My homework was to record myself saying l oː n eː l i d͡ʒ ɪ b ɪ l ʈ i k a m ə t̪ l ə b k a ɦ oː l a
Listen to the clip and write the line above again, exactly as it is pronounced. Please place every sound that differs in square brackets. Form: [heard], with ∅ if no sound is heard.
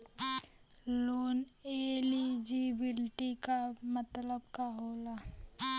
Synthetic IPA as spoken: l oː n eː l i d͡ʒ [i] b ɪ l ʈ i k a m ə t̪ l ə b k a ɦ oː l a